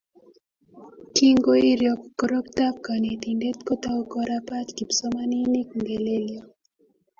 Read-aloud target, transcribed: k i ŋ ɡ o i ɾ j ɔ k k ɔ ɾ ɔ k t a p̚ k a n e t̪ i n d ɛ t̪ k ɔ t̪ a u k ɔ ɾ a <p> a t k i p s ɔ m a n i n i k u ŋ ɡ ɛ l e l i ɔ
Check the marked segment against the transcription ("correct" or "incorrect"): correct